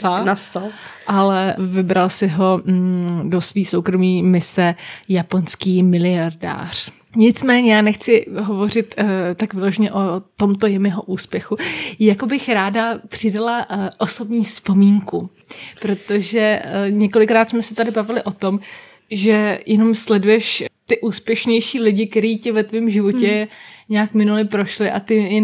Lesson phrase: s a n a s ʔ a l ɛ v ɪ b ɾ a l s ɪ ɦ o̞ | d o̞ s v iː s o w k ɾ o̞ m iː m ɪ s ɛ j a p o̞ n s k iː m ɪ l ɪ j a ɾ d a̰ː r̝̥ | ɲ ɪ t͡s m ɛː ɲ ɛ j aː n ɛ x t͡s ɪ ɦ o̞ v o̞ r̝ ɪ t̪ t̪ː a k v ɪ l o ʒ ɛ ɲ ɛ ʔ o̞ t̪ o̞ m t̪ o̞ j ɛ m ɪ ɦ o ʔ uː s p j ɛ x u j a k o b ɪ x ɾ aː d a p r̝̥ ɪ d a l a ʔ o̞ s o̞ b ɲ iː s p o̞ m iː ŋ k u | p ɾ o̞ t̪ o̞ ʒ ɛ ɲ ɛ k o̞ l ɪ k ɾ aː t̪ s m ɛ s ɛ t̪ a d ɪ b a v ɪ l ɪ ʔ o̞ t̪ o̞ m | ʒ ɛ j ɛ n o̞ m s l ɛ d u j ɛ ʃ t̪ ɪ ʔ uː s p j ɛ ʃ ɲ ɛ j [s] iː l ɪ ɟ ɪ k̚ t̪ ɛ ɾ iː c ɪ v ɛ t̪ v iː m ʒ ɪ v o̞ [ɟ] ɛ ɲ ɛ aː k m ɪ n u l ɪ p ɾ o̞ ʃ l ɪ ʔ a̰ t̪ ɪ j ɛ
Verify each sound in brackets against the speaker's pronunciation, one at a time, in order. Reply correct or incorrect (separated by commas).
incorrect, incorrect